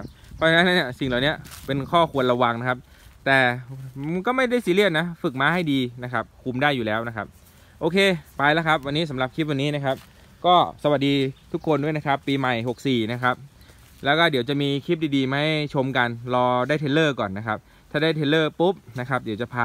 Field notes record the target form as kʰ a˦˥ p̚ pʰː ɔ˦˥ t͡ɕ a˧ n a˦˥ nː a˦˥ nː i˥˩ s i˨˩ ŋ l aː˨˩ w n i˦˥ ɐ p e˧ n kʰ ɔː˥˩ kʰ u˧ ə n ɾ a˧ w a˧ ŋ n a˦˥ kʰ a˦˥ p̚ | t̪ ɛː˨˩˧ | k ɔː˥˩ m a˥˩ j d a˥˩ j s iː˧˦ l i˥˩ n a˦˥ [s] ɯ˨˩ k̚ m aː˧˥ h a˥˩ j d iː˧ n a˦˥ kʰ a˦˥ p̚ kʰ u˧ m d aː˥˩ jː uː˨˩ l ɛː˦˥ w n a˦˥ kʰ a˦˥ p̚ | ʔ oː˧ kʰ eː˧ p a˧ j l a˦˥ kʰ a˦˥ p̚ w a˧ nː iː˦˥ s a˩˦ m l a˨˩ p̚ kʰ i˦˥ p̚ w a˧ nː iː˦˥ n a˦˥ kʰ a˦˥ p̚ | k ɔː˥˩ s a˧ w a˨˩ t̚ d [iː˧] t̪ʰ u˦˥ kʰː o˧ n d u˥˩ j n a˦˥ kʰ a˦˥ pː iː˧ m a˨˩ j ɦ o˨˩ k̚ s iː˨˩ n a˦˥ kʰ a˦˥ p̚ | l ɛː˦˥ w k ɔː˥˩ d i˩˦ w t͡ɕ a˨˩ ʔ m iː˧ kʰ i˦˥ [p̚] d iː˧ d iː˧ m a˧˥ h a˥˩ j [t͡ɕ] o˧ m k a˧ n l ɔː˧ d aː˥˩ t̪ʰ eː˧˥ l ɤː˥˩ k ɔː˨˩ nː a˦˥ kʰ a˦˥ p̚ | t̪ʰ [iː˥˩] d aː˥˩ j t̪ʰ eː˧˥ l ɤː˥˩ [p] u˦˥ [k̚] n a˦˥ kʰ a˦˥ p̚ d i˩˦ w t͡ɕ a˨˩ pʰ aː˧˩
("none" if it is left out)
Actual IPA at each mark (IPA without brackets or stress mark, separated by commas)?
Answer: f, iː˧, p̚, t͡ɕʰ, aː˥˩, p, p̚